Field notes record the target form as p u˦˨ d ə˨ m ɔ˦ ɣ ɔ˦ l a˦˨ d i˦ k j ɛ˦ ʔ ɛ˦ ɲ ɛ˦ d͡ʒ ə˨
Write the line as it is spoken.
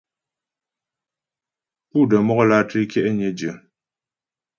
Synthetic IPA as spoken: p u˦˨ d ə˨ m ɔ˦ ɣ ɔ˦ l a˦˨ t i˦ k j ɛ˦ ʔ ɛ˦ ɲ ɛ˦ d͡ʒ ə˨